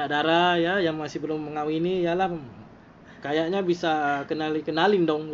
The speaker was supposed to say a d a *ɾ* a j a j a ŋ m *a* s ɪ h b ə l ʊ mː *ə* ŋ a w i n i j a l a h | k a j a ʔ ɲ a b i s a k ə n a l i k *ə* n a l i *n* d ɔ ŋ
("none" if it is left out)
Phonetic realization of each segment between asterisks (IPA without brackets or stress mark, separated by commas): ɾ, a, ə, ə, n